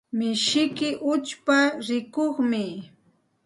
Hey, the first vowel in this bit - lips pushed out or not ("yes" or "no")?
no